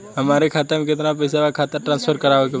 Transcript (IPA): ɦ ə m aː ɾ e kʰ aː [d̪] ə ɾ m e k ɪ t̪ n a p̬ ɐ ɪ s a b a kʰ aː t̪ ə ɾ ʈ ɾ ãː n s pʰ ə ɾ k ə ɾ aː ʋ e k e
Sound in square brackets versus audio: incorrect: t̪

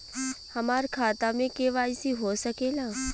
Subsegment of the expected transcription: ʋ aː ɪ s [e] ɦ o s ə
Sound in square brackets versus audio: incorrect: i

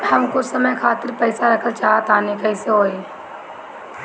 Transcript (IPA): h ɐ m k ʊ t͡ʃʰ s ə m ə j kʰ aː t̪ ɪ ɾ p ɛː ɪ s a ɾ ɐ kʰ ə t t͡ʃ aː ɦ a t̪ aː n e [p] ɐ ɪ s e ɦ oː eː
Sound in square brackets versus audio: incorrect: k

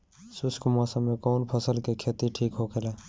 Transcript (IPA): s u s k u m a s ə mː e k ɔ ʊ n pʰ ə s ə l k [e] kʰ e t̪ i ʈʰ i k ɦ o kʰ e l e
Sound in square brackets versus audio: correct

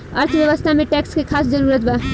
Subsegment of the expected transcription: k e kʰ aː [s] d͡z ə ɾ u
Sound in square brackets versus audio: correct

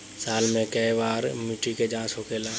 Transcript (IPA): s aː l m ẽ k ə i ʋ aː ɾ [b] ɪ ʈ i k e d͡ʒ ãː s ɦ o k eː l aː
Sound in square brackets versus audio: incorrect: m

